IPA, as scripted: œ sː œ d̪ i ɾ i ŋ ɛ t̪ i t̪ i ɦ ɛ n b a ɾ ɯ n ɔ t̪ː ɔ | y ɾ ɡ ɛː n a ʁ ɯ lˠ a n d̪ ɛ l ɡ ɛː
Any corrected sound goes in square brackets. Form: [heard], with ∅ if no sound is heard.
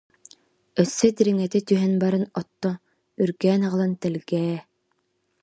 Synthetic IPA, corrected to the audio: œ sː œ d̪ i ɾ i ŋ ɛ t̪ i t̪ [y] ɦ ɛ n b a ɾ ɯ n ɔ t̪ː ɔ | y ɾ ɡ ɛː n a ʁ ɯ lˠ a n [t̪] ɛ l ɡ ɛː